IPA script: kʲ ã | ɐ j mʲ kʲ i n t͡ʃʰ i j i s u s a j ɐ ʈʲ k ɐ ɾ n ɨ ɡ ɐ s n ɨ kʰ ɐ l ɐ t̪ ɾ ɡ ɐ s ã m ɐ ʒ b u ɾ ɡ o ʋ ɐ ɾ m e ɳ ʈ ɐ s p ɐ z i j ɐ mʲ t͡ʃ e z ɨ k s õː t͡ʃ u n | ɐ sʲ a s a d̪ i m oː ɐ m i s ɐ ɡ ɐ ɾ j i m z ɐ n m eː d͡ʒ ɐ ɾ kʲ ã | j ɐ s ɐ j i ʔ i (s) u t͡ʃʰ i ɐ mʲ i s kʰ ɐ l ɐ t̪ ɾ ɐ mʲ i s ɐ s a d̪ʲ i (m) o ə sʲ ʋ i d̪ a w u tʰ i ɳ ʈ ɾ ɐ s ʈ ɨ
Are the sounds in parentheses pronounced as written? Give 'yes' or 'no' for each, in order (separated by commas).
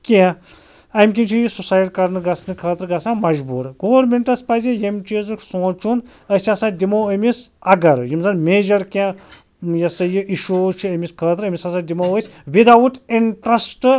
no, yes